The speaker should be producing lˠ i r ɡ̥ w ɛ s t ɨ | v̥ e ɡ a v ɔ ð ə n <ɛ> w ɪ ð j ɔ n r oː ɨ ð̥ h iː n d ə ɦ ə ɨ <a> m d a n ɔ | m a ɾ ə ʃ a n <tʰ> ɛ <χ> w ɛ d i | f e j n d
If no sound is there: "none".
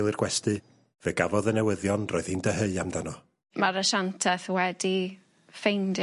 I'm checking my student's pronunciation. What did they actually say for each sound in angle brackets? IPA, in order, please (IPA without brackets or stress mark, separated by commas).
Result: ɛ, a, tʰ, θ